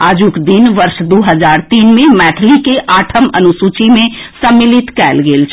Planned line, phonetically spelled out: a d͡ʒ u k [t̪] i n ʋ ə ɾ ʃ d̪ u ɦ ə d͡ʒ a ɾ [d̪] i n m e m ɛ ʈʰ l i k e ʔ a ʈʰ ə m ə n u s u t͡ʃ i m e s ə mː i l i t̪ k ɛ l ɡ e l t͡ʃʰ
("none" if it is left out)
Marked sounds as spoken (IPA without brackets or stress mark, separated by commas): d̪, t̪